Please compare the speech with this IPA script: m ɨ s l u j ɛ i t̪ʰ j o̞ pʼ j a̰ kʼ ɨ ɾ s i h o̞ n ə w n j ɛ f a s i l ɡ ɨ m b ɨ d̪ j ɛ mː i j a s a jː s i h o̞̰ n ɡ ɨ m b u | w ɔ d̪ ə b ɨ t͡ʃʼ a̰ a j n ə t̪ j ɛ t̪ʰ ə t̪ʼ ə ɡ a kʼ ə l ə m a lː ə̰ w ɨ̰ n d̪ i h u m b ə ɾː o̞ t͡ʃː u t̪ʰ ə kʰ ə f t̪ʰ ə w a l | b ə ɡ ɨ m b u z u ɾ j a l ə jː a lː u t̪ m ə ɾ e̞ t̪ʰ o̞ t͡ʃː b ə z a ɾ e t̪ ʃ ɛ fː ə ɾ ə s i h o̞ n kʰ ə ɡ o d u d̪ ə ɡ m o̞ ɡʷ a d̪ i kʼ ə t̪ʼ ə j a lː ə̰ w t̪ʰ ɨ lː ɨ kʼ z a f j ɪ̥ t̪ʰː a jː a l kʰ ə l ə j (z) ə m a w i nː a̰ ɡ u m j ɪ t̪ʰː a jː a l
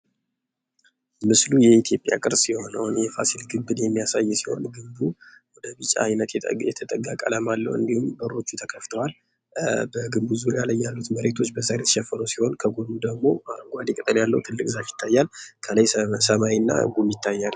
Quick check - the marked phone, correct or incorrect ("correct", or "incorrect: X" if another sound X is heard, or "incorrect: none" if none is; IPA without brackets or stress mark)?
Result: incorrect: s